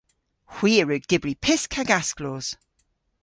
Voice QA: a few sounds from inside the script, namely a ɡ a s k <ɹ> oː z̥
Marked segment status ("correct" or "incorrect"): incorrect